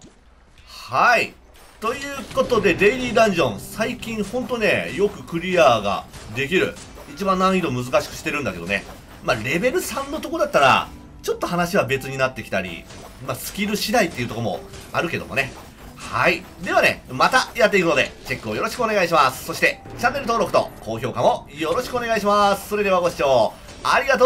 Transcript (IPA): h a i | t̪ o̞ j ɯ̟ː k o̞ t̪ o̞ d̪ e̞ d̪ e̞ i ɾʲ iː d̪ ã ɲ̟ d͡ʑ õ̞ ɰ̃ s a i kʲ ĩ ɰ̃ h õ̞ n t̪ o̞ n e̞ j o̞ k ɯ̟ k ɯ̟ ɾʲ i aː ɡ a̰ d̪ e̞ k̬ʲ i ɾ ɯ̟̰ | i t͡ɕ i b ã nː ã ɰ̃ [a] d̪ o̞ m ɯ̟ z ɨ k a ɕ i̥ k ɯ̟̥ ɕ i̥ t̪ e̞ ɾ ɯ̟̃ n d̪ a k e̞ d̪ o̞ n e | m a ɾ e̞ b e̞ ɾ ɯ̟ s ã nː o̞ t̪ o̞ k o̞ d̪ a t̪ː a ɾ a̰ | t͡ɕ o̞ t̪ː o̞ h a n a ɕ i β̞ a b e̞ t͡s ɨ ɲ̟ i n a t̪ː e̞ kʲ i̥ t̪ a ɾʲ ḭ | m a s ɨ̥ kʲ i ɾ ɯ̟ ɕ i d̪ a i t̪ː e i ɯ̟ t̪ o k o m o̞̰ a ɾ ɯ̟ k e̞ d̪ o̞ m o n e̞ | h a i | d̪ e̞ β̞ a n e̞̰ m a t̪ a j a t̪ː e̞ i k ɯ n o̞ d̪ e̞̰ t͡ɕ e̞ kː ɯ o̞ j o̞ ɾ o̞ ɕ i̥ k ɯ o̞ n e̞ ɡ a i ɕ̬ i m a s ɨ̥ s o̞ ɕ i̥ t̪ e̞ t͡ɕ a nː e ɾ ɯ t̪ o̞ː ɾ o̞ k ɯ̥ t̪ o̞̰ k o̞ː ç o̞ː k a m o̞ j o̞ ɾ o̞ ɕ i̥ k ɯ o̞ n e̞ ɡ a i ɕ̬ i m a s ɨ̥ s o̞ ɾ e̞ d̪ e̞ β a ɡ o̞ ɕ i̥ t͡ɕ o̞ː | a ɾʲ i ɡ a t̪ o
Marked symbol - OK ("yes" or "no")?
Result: no